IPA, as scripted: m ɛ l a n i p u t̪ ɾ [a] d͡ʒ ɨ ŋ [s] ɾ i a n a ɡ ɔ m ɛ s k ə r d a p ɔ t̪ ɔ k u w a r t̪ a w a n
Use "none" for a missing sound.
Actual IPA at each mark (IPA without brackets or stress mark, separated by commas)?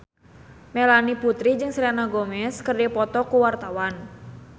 i, s